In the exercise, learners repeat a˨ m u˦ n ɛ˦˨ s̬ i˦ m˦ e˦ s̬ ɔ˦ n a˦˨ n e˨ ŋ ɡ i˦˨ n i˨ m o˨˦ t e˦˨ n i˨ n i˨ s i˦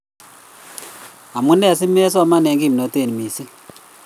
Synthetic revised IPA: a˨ m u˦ n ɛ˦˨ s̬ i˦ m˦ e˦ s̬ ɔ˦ m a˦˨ n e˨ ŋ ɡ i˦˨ m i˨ n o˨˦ t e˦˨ n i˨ m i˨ s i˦